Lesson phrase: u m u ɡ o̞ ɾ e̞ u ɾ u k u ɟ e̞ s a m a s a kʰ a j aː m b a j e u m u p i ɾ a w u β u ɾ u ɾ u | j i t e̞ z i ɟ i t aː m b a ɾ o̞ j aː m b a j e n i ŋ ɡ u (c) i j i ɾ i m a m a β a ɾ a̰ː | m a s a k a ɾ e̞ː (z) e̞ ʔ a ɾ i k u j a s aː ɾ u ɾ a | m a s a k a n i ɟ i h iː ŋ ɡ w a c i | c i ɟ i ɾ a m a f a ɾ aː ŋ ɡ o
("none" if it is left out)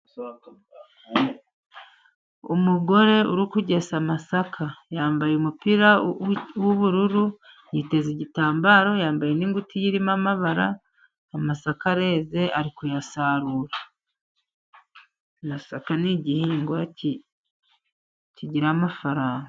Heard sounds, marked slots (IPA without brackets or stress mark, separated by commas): t, z